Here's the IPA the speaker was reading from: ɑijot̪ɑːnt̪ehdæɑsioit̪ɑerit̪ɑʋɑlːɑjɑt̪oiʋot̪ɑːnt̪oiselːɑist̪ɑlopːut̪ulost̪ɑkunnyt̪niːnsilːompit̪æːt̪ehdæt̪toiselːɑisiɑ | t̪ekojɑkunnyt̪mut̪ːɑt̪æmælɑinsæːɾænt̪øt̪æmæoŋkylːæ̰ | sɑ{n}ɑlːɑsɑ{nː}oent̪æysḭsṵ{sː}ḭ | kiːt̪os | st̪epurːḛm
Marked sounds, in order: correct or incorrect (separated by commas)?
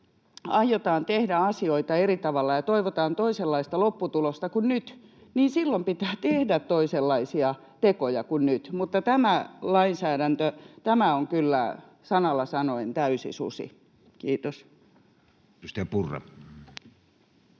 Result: correct, incorrect, incorrect